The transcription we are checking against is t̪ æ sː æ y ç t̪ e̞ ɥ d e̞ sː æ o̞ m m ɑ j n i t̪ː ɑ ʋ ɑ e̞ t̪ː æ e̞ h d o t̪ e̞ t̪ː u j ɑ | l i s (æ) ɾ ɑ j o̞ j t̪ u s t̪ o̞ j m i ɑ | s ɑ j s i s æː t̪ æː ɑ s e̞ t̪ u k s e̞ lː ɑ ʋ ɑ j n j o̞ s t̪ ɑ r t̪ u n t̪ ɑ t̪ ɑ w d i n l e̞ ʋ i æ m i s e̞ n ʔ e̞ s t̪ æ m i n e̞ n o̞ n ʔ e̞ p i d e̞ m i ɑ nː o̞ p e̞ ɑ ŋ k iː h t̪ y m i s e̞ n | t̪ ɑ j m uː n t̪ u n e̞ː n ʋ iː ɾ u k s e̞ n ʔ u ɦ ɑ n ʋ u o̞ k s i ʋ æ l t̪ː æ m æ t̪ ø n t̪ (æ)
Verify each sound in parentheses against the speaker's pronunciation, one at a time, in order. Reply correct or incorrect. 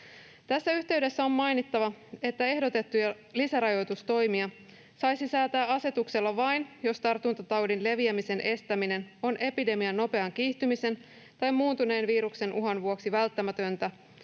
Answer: correct, correct

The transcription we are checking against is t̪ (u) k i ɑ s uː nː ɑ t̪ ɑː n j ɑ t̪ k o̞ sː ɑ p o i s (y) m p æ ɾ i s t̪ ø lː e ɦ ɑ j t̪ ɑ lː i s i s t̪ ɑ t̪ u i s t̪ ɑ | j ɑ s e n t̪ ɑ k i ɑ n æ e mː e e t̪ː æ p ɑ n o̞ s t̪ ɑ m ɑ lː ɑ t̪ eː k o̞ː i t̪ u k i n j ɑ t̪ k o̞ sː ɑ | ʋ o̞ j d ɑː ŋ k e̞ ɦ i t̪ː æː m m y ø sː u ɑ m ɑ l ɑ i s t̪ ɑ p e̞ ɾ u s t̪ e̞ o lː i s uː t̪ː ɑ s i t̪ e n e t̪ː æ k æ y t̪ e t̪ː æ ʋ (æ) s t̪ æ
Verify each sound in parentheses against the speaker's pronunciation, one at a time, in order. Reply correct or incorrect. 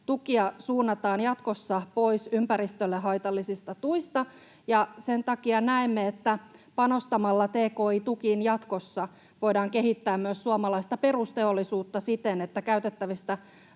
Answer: correct, correct, incorrect: i

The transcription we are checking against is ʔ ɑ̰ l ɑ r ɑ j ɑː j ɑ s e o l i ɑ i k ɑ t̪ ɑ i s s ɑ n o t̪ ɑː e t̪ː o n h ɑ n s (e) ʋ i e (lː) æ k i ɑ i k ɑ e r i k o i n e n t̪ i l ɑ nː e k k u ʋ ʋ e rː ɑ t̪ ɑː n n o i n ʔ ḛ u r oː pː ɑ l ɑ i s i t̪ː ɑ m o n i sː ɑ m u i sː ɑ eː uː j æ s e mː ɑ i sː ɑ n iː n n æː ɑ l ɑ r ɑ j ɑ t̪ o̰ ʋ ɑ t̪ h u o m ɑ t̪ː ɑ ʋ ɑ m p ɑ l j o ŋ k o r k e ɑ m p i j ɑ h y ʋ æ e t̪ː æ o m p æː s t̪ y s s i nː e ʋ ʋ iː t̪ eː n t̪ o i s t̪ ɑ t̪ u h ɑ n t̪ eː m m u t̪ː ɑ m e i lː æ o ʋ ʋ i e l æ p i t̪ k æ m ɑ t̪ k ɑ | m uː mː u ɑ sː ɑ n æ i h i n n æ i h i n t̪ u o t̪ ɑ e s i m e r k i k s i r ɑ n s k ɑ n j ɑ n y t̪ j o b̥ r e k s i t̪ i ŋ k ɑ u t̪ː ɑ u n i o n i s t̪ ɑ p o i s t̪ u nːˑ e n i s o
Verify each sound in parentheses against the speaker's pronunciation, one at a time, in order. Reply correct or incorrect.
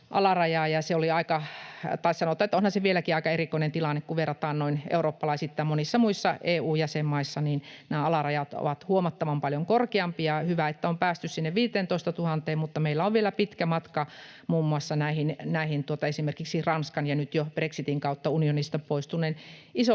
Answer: correct, incorrect: l

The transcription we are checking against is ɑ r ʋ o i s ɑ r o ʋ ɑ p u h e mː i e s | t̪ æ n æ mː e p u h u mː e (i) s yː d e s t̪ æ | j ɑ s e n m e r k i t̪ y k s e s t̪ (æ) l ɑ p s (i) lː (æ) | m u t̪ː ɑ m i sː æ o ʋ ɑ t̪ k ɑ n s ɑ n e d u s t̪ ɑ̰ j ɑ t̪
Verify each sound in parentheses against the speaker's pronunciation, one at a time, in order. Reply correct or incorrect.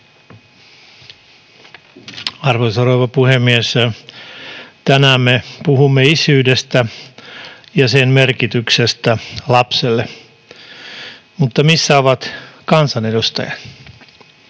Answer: correct, correct, incorrect: e, incorrect: e

